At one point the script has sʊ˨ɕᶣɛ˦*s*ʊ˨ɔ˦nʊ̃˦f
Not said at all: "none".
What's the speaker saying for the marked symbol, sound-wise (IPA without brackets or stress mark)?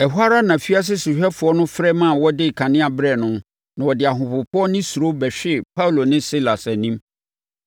f